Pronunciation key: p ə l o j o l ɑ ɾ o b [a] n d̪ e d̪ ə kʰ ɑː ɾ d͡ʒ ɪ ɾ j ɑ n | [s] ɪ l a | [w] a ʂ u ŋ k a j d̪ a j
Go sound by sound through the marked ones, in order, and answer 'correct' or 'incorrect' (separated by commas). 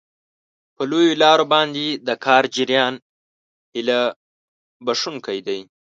incorrect, incorrect, incorrect